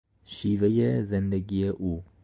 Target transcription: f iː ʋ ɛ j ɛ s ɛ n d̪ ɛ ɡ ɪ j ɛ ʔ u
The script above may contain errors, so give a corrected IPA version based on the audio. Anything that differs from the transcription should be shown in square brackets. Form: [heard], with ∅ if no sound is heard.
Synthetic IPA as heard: [ʃ] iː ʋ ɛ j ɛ [z] ɛ n d̪ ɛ ɡ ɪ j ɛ ʔ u